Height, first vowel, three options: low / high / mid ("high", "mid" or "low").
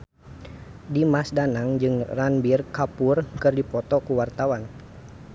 high